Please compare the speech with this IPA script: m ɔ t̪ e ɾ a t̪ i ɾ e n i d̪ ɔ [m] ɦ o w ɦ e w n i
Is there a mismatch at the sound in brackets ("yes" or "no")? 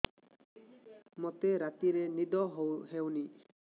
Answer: yes